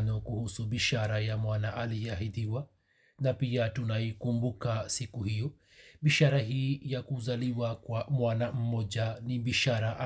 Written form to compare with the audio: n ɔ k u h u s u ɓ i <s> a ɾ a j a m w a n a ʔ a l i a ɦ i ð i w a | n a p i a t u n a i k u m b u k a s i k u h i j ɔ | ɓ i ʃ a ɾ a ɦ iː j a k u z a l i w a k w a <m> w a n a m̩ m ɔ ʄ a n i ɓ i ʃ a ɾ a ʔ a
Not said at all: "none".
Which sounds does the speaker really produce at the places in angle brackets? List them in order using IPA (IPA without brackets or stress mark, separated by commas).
ʃ, m